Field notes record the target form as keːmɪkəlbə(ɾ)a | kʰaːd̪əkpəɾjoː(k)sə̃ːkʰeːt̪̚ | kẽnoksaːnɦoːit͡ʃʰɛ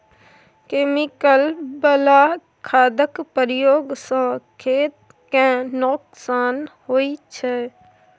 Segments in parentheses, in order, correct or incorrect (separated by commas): incorrect, incorrect